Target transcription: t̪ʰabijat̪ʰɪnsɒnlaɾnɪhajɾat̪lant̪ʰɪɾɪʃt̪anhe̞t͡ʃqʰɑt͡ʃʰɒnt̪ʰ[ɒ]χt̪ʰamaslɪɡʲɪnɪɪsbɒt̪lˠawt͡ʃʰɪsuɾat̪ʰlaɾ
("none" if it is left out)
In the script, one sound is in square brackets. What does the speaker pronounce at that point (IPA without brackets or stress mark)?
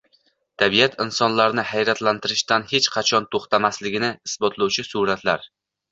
o